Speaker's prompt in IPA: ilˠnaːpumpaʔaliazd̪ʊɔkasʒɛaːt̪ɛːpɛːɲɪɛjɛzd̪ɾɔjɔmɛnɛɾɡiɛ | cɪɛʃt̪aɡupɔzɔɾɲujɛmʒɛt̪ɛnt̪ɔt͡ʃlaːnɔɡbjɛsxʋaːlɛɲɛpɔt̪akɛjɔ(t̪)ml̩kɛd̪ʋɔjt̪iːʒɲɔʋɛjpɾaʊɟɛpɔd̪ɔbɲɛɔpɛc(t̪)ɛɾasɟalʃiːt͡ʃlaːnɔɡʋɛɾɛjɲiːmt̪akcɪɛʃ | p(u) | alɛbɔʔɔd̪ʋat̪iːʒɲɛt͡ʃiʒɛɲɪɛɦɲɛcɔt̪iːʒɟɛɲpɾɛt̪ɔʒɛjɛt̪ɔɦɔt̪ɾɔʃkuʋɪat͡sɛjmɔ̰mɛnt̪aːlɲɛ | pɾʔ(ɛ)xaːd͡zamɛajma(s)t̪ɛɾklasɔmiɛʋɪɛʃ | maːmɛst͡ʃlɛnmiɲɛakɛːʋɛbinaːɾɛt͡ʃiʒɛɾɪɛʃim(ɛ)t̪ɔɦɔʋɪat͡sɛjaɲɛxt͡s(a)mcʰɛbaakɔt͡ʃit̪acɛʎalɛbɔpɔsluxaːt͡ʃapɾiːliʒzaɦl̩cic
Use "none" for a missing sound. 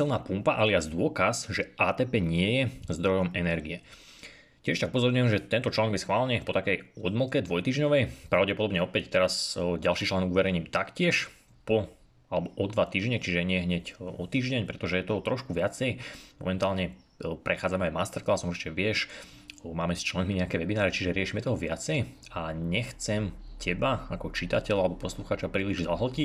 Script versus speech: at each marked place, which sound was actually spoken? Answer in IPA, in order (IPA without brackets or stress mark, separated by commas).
d̪, t̪, ɔ, ɛ, s, ɛ, ɛ